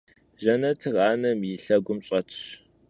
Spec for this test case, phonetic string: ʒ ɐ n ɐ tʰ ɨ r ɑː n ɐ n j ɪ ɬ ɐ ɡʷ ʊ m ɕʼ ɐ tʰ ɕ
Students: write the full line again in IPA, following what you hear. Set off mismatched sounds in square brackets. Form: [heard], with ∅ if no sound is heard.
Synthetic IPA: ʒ ɐ n ɐ tʰ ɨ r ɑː n ɐ [m] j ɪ ɬ ɐ ɡʷ ʊ m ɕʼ ɐ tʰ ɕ